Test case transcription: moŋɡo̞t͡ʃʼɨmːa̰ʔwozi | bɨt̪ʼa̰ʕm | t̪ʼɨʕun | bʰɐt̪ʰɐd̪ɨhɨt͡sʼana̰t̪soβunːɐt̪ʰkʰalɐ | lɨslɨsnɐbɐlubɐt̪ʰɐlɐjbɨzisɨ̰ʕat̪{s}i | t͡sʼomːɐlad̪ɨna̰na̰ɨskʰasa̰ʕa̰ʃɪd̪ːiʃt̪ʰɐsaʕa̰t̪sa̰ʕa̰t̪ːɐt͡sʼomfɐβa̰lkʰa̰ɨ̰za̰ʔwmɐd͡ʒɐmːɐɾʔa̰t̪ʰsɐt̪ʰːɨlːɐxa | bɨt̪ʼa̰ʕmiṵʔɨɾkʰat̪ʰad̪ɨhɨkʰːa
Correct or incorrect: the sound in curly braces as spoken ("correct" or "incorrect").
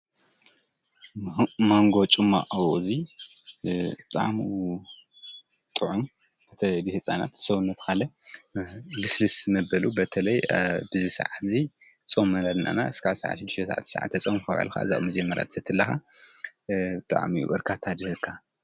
incorrect